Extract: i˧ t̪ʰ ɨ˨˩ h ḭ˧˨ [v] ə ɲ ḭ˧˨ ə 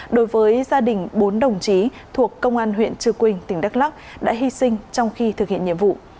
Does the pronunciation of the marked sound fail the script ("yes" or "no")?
yes